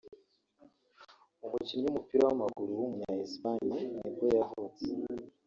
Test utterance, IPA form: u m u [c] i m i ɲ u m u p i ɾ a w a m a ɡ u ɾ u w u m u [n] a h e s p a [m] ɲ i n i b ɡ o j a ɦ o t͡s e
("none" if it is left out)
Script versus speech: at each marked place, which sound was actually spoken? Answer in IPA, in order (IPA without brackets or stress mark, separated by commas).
c, ɲ, none